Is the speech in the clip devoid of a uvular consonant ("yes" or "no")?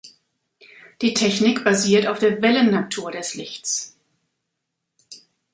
yes